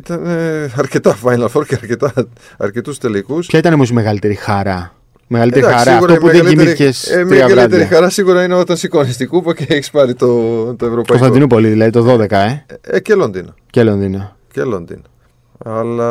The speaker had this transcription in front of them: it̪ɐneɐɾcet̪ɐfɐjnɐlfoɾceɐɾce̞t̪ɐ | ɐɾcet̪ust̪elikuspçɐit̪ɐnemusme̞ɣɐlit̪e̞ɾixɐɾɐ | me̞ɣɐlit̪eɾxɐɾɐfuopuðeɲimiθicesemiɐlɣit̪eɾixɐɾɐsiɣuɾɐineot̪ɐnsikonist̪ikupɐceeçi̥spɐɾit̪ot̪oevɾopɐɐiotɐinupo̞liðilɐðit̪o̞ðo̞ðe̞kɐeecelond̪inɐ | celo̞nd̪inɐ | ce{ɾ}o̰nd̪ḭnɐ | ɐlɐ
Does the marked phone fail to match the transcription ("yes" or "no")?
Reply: yes